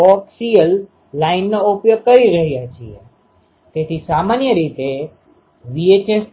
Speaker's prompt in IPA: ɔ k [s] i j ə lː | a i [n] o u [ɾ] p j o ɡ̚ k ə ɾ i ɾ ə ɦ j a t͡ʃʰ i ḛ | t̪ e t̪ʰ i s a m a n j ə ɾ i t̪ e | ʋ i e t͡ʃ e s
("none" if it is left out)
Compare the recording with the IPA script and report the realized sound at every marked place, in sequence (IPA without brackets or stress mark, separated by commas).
s, nː, none